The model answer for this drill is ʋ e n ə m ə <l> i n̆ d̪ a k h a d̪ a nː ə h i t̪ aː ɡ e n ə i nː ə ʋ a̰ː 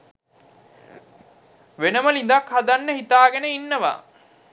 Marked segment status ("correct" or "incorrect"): correct